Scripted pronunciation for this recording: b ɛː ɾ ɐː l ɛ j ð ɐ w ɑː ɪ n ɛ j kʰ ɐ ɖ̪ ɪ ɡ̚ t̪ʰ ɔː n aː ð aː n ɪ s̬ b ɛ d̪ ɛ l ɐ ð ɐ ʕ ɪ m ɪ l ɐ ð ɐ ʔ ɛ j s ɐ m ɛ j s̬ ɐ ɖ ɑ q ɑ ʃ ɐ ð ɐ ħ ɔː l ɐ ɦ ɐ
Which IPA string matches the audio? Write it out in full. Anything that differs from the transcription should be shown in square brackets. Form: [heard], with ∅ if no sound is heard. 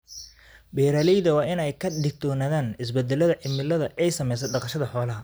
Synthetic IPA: b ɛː ɾ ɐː l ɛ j ð ɐ w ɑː ɪ n ɛ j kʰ ɐ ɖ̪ ɪ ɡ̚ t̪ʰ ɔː n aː ð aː n ɪ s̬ b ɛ d̪ ɛ l ɐ ð ɐ ʕ ɪ m ɪ l ɐ ð ɐ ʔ ɛ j s ɐ m ɛ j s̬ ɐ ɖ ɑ q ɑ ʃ ɐ ð ɐ ħ ɔː l ɐ ɦ ɐ